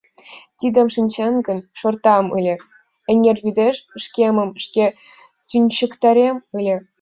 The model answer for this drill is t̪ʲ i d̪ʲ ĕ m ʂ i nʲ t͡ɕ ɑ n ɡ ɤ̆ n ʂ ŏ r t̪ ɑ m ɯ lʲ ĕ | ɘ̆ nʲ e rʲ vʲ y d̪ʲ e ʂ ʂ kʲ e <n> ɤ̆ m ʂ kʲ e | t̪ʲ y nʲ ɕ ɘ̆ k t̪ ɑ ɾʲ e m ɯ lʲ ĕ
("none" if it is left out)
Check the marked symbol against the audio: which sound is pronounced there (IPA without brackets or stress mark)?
m